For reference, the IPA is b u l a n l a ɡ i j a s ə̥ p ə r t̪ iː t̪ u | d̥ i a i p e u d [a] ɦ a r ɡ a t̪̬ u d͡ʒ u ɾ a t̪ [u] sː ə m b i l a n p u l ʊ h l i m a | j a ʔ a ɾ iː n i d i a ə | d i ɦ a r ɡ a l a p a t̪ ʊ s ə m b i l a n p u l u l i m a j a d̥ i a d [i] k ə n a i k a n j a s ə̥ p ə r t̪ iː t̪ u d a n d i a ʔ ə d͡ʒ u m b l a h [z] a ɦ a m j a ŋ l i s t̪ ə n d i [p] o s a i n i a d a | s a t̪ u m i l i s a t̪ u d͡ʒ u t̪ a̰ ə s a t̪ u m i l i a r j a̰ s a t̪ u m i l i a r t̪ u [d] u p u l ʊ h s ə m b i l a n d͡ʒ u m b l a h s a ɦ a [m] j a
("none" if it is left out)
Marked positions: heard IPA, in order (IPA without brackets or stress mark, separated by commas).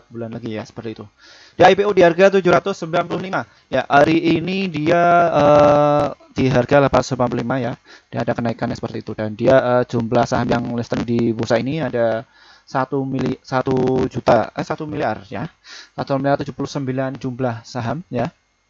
i, ʊ, a, s, b, d͡ʒ, m